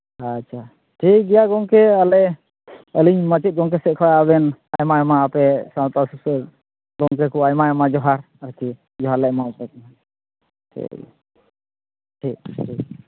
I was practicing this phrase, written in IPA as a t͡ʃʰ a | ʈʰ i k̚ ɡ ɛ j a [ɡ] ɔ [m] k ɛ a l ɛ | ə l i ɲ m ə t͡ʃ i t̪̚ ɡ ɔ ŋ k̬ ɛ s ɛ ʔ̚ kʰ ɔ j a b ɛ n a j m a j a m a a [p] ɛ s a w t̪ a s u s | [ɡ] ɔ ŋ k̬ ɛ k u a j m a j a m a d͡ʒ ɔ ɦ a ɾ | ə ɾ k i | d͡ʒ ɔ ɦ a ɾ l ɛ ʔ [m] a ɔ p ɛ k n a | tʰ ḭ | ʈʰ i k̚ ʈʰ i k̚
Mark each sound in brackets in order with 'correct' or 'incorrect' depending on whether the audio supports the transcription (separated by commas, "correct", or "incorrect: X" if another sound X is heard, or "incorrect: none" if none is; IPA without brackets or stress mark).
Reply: correct, incorrect: ŋ, correct, correct, correct